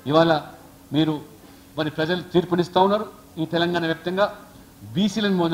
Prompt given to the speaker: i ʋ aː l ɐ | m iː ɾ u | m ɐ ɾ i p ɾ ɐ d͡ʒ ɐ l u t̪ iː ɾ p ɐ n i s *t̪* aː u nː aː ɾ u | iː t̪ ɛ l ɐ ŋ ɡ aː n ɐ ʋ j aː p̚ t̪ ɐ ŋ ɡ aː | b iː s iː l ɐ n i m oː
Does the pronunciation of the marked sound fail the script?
no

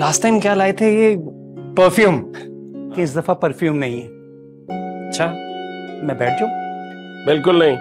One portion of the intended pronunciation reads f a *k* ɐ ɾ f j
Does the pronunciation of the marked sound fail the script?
yes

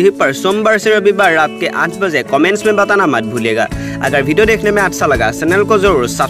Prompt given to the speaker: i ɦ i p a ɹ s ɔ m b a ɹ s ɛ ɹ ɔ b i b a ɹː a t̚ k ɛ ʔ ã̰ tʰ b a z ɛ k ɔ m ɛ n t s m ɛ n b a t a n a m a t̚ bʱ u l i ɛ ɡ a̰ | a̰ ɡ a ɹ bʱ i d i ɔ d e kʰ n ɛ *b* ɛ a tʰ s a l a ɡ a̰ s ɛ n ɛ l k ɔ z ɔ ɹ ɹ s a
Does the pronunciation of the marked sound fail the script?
yes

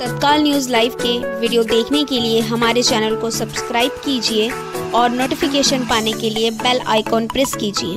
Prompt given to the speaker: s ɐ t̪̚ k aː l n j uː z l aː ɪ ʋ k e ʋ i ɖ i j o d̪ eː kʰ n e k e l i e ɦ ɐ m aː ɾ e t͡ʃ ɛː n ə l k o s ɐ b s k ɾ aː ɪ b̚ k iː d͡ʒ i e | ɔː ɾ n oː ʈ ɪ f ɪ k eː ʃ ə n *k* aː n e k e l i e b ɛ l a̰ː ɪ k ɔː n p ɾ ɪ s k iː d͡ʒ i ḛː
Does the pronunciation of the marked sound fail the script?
yes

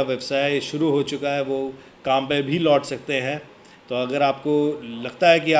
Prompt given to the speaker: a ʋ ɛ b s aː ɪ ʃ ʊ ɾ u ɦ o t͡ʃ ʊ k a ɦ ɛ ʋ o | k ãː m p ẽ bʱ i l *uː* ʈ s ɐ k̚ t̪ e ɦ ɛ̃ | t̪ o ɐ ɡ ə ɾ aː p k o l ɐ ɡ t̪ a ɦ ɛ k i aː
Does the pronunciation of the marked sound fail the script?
yes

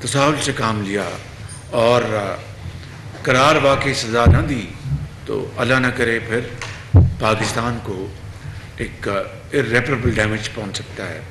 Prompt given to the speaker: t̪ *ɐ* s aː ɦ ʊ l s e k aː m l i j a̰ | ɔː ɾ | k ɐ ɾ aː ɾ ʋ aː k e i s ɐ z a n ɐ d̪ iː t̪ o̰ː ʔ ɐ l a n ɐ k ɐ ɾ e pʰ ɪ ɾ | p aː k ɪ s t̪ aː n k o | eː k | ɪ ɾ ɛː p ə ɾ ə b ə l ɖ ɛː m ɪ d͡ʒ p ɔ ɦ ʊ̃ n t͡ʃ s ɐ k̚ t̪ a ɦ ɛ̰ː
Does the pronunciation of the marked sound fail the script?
no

